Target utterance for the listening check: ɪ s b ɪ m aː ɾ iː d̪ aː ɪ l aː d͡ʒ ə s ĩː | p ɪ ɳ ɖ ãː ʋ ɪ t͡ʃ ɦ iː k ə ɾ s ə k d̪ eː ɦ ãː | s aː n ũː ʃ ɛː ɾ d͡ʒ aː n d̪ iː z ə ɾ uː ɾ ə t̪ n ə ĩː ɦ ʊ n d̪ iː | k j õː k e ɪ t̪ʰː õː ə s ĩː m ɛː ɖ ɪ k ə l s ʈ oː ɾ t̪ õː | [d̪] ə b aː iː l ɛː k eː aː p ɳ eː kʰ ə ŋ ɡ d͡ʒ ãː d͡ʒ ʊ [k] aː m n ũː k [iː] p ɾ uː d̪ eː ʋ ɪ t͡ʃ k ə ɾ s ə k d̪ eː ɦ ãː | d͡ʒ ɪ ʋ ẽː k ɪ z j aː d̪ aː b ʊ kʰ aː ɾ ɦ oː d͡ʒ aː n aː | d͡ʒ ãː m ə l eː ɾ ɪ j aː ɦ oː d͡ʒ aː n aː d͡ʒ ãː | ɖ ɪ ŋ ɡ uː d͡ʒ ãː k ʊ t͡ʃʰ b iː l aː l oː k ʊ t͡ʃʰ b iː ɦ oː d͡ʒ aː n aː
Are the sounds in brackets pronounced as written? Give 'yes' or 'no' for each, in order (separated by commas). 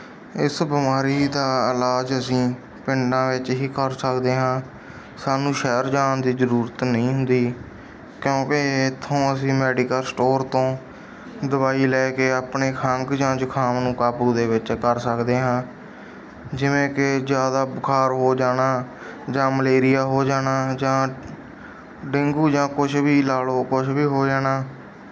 yes, no, no